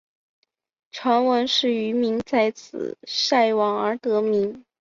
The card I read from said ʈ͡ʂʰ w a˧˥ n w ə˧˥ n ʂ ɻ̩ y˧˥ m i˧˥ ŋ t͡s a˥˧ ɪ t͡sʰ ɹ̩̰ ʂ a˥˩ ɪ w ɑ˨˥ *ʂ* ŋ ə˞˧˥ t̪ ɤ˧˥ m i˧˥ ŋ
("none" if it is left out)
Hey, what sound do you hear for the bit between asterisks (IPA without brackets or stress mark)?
none